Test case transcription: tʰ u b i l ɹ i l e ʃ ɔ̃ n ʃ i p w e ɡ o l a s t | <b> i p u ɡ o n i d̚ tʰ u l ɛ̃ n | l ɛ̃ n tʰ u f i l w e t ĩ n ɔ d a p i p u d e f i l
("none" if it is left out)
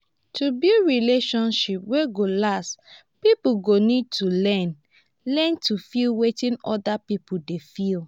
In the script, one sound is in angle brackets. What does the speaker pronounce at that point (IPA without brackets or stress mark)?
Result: p